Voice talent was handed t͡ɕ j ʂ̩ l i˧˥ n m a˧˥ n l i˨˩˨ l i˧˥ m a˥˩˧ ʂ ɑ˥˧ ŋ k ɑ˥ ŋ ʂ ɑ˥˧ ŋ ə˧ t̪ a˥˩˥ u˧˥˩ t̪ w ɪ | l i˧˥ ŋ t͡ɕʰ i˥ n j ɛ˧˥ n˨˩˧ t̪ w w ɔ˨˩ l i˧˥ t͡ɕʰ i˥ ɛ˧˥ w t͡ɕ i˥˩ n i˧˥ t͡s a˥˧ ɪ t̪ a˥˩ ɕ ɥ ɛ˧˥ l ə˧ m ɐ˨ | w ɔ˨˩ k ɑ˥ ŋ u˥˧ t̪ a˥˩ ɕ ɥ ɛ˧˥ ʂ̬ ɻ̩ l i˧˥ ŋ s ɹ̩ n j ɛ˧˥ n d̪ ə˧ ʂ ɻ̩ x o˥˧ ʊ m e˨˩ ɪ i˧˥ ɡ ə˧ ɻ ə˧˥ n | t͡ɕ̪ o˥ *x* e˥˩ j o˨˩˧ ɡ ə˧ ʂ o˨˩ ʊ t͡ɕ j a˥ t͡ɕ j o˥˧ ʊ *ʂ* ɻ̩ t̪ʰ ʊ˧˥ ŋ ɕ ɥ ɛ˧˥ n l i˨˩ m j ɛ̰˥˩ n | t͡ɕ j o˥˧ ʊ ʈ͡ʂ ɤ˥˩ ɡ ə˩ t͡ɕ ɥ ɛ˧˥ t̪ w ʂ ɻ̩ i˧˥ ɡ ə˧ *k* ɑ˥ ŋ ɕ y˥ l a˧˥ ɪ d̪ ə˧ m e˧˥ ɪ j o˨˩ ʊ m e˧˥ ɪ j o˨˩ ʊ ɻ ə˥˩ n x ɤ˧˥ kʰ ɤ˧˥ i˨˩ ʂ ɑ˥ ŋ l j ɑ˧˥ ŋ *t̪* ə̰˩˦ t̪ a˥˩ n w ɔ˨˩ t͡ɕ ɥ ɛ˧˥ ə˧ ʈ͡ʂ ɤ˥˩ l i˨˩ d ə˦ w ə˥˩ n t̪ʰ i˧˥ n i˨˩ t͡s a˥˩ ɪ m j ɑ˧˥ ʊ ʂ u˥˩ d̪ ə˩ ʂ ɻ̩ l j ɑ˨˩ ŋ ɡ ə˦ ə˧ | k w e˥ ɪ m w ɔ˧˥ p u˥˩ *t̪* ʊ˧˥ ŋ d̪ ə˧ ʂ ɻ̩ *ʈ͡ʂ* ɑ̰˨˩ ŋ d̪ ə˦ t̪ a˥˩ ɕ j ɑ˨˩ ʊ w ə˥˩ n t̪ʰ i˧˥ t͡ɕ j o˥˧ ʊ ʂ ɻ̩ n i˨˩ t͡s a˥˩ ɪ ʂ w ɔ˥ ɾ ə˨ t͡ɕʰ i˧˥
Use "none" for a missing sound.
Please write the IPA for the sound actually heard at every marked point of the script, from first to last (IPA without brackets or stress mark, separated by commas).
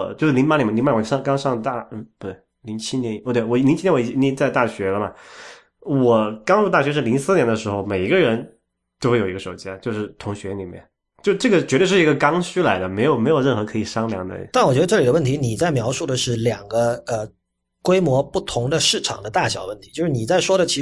x, ʂ, k, d̪, t̪ʰ, ʈ͡ʂʰ